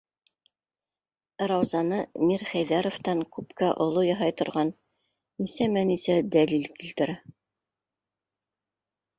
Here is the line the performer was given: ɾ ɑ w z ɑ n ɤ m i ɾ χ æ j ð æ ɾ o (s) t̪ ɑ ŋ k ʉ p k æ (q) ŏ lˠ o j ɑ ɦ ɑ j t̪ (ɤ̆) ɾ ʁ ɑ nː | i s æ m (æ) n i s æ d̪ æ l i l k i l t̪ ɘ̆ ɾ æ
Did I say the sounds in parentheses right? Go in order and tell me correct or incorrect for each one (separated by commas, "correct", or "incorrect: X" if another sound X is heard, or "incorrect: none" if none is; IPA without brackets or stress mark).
incorrect: f, incorrect: ʔ, incorrect: ŏ, correct